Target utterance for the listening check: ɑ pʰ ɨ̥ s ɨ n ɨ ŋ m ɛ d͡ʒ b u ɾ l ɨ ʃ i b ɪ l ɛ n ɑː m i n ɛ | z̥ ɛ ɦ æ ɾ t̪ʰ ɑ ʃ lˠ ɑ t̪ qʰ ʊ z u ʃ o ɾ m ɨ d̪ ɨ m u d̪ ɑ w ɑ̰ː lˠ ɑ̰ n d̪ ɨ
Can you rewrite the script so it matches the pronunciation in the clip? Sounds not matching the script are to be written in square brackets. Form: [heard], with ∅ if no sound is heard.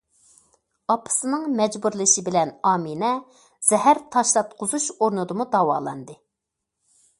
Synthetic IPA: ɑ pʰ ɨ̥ s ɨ n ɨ ŋ m ɛ d͡ʒ b u ɾ l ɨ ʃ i b ɪ l ɛ n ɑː m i n ɛ | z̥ ɛ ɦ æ ɾ t̪ʰ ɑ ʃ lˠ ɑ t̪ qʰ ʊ z u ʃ o ɾ [n] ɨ d̪ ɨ m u d̪ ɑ w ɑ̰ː lˠ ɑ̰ n d̪ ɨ